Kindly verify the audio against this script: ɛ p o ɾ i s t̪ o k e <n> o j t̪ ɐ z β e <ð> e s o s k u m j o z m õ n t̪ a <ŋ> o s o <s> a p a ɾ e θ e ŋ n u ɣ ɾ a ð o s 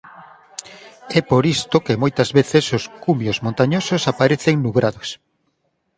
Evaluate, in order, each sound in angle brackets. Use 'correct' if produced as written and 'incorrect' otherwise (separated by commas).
incorrect, incorrect, incorrect, correct